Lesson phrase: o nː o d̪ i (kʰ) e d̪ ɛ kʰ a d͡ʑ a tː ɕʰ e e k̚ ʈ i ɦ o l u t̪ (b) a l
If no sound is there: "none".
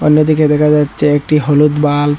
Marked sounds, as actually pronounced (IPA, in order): k, b

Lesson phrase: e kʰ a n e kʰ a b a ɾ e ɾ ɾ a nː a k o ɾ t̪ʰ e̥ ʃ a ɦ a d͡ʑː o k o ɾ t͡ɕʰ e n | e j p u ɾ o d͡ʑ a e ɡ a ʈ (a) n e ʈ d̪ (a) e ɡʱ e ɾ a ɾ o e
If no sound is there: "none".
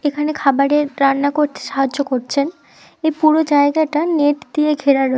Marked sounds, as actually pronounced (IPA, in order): a, i

